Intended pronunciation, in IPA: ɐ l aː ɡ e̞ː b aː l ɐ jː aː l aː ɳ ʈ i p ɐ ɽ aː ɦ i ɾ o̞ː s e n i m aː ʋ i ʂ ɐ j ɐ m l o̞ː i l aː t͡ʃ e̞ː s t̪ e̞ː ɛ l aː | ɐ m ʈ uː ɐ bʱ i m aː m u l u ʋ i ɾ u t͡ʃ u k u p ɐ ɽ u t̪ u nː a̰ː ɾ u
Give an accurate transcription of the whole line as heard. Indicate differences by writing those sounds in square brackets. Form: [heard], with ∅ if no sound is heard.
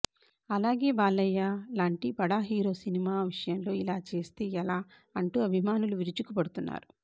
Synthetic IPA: ɐ l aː ɡ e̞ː b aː l ɐ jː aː l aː ɳ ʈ i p ɐ ɽ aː ɦ [iː] ɾ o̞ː s [i] n i m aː ʋ i ʂ ɐ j ɐ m l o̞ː i l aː t͡ʃ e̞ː s t̪ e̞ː ɛ l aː | ɐ [ɳ] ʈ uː ɐ bʱ i m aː [n] u l u ʋ i ɾ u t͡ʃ u k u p ɐ ɽ u t̪ u nː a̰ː ɾ u